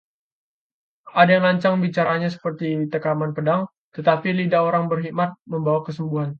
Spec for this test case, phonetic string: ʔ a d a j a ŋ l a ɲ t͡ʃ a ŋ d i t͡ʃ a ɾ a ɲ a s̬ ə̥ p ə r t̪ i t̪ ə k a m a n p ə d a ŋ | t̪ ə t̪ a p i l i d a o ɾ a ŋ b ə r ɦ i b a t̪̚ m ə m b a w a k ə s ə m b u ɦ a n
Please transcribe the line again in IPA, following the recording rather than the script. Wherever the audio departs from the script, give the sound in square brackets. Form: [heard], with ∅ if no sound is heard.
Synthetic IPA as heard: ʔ a d a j a ŋ l a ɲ t͡ʃ a ŋ [b] i t͡ʃ a ɾ a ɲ a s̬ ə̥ p ə r t̪ i t̪ ə k a m a n p ə d a ŋ | t̪ ə t̪ a p i l i d a o ɾ a ŋ b ə r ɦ i [m] a t̪̚ m ə m b a w a k ə s ə m b u ɦ a n